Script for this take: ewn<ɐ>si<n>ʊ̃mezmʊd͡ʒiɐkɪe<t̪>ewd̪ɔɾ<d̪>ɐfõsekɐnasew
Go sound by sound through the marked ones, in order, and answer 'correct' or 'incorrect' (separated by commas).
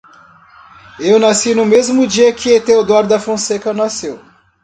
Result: incorrect, correct, correct, correct